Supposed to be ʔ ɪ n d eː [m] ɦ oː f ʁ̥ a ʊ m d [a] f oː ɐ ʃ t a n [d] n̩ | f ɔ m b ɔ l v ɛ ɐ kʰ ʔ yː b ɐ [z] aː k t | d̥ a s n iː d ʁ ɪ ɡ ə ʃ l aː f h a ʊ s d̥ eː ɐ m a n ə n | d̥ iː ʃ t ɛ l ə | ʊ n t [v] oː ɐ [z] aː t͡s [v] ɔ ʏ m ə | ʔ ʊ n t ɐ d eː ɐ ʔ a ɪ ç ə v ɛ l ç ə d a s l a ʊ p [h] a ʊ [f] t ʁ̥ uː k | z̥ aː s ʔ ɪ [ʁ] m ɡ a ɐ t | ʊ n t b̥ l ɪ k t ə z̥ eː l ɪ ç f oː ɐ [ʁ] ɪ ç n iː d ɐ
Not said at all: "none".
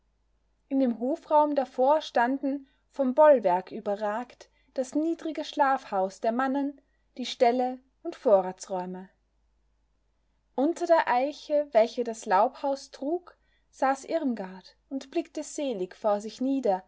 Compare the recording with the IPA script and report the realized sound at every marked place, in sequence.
m, a, d, ʁ, f, ʁ, ʁ, h, s, ʁ, z

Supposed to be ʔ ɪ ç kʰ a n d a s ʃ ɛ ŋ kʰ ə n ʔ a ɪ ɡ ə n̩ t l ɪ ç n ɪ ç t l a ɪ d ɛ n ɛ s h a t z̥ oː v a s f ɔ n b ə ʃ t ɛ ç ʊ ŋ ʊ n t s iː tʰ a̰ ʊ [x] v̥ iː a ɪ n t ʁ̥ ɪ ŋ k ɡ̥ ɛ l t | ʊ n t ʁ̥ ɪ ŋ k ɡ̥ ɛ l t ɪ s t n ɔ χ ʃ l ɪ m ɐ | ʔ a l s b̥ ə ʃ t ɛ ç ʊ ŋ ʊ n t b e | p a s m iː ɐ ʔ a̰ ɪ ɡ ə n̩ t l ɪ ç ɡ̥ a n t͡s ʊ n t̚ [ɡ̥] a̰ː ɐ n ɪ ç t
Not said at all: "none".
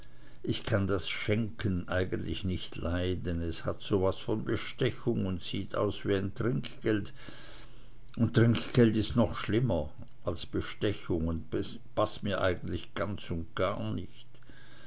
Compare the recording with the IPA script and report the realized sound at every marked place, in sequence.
s, ɡ̥

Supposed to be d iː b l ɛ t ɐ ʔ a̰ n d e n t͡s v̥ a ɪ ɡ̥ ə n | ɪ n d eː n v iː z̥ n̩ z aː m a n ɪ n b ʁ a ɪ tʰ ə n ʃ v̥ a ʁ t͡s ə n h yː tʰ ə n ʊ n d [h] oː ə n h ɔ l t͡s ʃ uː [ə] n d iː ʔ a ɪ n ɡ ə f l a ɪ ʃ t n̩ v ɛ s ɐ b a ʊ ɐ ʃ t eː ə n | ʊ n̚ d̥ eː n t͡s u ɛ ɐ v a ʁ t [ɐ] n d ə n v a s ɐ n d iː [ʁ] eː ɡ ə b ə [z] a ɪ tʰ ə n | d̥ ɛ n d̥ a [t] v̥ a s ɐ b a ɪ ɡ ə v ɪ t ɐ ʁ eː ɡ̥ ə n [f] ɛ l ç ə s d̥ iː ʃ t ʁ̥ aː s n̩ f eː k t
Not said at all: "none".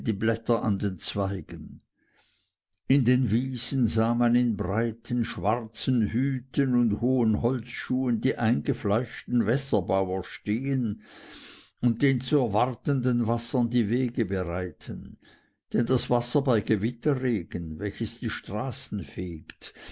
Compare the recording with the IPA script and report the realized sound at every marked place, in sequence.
h, ə, ə, v, ʁ, s, v

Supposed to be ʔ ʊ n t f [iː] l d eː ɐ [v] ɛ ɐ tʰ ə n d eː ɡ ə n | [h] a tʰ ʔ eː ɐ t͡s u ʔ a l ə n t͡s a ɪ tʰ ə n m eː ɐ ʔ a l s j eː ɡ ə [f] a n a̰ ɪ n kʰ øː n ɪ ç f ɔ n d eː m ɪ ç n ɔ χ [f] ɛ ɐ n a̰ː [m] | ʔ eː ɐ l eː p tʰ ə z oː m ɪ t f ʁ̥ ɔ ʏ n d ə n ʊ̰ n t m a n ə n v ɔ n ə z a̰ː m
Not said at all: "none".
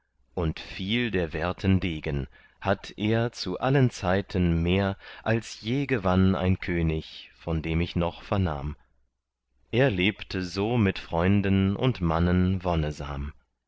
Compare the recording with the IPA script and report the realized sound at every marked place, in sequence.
iː, v, h, v, f, m

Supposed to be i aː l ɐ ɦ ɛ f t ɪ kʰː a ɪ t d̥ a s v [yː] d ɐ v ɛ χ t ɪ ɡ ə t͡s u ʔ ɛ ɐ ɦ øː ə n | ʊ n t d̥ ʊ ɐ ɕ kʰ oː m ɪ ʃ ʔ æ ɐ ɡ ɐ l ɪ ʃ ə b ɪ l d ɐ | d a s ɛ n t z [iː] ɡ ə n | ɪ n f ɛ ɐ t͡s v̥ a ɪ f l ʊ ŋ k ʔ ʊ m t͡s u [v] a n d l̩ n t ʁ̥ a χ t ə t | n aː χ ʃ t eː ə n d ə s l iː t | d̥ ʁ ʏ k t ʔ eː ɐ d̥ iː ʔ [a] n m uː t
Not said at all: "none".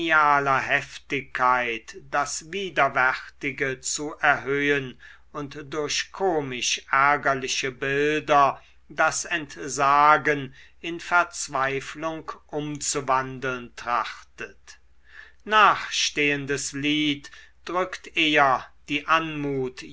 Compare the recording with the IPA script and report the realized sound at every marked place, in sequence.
iː, aː, v, a

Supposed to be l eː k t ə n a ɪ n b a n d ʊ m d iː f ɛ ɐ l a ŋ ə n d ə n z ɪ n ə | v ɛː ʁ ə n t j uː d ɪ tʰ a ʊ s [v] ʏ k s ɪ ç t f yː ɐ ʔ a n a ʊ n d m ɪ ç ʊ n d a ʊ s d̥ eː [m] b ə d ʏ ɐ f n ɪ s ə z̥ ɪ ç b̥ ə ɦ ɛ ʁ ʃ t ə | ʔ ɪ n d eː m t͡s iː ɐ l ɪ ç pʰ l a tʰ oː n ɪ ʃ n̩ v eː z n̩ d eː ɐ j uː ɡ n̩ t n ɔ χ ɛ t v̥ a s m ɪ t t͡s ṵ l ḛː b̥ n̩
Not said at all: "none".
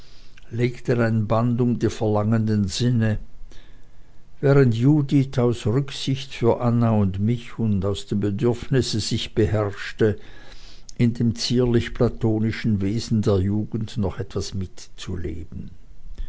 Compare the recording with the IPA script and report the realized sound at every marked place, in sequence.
ʁ, m

